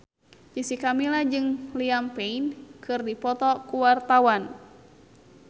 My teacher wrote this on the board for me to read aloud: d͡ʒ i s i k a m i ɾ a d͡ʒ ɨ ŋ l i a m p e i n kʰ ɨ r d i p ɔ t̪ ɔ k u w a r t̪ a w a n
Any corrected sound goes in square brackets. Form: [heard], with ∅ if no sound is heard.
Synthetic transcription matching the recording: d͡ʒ i s i k a m i [l] a d͡ʒ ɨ ŋ l i a m p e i n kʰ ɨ r d i p ɔ t̪ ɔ k u w a r t̪ a w a n